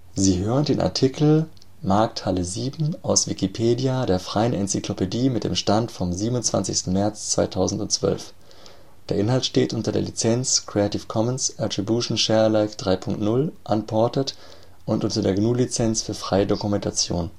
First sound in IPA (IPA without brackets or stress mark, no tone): z